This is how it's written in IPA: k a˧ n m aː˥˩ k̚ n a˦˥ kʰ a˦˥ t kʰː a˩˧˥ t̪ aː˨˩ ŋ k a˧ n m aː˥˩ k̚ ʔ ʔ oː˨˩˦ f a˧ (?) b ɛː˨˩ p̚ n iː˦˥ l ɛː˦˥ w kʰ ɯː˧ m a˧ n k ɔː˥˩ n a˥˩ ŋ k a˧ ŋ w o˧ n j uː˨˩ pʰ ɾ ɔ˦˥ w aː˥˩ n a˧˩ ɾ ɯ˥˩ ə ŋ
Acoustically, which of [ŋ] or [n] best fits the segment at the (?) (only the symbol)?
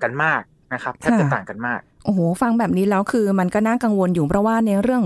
ŋ